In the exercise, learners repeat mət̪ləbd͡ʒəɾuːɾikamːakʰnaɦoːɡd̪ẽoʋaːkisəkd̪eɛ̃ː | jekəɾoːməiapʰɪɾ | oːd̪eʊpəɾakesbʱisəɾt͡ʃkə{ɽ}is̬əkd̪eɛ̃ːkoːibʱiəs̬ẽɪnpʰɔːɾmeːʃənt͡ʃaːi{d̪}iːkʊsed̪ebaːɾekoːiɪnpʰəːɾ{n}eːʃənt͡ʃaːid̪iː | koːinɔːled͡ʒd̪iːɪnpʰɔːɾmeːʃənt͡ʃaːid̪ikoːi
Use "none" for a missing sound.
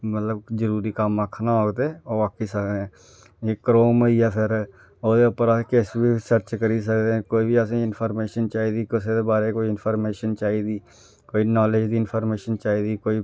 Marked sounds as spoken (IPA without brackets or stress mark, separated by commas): ɾ, d̪, m